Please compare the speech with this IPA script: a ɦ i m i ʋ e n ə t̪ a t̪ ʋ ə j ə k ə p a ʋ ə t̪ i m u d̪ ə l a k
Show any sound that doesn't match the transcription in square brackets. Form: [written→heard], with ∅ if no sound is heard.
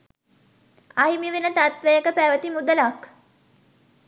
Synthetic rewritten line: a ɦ i m i ʋ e n ə t̪ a t̪ ʋ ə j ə k ə p [a→æ] ʋ ə t̪ i m u d̪ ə l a k